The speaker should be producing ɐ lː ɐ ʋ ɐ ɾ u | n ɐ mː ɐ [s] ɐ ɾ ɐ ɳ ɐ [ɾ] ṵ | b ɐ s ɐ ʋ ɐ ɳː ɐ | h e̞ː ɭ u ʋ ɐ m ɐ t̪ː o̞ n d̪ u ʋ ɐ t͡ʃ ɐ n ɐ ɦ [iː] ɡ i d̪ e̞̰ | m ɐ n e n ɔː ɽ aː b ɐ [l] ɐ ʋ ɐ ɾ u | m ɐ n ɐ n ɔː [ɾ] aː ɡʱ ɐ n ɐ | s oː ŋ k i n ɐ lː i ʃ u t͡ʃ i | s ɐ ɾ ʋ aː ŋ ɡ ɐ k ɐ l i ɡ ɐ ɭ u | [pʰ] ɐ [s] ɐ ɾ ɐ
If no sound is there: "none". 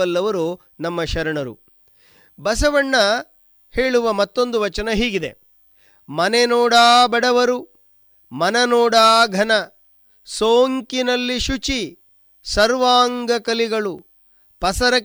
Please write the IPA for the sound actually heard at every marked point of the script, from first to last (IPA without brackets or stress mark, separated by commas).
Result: ʃ, ɾ, iː, ɽ, ɽ, p, s